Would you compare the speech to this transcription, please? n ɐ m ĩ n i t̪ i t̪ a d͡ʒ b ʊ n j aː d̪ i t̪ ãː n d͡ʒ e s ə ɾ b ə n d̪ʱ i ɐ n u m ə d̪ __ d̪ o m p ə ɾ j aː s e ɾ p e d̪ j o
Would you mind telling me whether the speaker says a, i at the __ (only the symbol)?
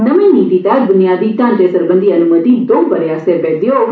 i